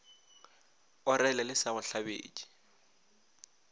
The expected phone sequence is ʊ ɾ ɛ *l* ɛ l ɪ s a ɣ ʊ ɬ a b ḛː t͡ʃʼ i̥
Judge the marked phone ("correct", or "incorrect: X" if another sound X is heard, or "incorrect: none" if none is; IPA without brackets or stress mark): correct